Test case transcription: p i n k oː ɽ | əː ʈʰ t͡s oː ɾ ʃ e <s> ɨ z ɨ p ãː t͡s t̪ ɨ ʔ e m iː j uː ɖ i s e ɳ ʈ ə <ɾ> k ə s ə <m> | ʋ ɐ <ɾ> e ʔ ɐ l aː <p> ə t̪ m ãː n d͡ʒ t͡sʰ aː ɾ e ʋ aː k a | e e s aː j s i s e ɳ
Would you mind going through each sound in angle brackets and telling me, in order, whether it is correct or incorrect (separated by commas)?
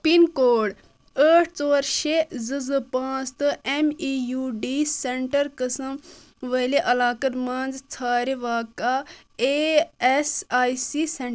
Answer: incorrect, correct, correct, incorrect, incorrect